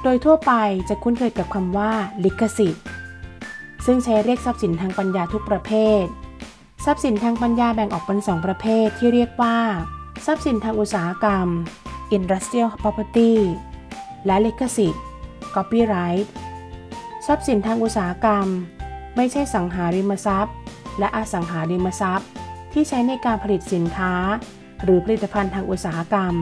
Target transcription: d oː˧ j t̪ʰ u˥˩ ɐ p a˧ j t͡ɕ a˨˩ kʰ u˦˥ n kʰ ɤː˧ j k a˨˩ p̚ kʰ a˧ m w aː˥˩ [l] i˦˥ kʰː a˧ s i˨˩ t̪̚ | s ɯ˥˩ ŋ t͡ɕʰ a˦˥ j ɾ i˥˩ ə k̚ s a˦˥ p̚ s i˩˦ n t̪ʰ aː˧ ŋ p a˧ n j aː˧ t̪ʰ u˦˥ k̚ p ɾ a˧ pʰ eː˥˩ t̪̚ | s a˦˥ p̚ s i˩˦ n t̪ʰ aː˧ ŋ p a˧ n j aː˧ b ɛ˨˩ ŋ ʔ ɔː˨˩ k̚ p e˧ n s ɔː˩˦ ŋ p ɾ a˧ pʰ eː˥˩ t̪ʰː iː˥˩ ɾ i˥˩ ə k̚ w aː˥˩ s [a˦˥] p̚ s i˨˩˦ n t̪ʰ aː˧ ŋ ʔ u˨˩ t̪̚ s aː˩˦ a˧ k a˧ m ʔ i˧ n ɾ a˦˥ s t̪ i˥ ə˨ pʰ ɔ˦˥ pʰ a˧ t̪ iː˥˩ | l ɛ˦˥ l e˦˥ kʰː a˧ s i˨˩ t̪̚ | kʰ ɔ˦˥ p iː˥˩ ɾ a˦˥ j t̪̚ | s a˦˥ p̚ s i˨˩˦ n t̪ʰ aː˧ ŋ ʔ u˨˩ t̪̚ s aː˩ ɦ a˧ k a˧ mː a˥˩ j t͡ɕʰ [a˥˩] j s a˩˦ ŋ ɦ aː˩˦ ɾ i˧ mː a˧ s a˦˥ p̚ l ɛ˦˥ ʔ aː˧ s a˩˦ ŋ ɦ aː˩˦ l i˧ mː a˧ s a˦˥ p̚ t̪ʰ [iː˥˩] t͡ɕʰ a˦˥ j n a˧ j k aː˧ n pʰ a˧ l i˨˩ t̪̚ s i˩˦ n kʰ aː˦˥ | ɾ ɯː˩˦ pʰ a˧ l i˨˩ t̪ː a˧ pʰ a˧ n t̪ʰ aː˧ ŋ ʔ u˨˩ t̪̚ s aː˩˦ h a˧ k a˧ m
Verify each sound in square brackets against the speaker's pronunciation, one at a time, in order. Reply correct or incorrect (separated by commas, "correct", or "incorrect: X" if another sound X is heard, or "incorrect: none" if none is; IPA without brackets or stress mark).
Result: correct, correct, correct, correct